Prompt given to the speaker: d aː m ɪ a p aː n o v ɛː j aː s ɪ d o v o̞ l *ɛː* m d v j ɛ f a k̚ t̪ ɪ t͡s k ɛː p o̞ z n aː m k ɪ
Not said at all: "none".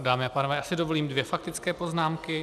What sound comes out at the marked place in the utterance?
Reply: iː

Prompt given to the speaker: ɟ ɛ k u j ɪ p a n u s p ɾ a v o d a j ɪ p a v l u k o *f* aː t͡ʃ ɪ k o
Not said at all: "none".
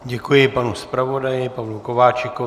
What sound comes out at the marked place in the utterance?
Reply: v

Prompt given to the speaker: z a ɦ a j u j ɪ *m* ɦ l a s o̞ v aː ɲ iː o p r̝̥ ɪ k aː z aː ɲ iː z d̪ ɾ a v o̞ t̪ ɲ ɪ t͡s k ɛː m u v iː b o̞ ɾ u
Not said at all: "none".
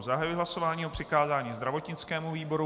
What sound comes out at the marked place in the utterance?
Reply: none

